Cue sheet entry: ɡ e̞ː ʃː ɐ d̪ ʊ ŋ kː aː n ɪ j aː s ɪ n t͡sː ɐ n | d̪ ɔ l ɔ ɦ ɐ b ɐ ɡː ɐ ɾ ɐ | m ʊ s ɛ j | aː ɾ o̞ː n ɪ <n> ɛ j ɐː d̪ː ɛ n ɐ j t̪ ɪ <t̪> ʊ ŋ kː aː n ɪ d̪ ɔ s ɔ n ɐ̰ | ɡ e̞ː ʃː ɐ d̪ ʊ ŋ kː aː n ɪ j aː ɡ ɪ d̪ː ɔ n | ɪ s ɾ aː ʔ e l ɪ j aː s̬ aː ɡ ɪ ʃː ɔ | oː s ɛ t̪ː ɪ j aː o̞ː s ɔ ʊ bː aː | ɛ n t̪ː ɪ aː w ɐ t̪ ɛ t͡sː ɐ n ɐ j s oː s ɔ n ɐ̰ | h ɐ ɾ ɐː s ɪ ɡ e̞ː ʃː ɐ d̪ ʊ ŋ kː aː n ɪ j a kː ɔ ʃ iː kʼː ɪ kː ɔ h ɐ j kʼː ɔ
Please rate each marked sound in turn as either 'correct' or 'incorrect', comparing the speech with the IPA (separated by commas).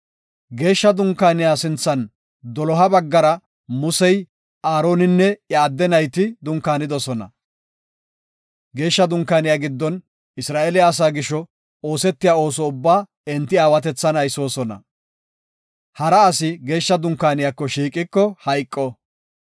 incorrect, incorrect